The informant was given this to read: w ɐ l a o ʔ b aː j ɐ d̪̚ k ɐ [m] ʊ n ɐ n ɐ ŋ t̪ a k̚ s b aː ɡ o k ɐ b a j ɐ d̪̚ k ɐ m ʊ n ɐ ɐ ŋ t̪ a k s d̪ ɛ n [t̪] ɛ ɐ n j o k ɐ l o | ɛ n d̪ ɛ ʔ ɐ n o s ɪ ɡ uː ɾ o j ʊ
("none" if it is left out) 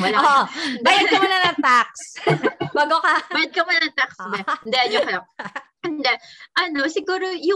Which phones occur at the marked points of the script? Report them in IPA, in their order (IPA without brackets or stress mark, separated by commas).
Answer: m, d̪